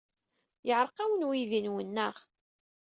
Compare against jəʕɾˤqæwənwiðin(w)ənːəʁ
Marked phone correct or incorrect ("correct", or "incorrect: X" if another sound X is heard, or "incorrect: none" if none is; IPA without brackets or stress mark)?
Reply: correct